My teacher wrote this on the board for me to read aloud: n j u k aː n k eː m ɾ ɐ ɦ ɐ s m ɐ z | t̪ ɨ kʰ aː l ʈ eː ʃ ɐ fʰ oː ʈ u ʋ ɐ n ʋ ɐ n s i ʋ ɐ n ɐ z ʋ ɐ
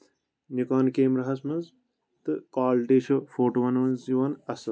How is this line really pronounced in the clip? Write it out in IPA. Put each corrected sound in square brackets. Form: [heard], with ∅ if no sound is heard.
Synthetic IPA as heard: n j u k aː n k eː m ɾ ɐ ɦ ɐ s m ɐ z | t̪ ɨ [k] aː l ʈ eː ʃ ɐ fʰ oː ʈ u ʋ ɐ n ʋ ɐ n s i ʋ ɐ n ɐ [s] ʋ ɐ